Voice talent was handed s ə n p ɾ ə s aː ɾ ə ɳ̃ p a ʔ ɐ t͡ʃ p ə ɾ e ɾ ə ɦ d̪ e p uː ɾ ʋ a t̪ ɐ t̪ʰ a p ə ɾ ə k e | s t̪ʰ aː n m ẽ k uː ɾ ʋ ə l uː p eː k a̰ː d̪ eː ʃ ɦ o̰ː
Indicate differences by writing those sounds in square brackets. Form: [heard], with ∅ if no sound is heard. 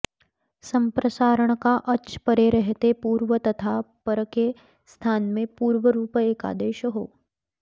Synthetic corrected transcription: s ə [m] p ɾ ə s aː ɾ ə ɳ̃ [k] a ʔ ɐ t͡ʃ p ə ɾ e ɾ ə ɦ [t̪] e p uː ɾ ʋ [ə] t̪ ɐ t̪ʰ a p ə ɾ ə k e | s t̪ʰ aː n m ẽ [p] uː ɾ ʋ ə [ɾ] uː p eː k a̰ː d̪ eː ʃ ɦ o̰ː